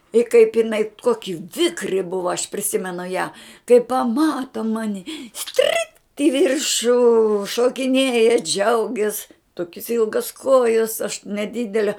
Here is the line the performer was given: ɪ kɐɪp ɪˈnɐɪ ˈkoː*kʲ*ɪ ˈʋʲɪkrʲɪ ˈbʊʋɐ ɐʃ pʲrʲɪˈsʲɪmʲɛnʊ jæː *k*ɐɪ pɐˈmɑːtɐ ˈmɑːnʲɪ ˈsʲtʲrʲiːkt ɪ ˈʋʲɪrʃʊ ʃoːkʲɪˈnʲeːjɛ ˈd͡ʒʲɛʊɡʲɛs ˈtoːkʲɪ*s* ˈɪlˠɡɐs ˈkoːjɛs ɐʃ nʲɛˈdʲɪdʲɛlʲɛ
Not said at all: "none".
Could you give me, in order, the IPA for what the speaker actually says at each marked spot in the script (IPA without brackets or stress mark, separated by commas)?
kʲ, k, s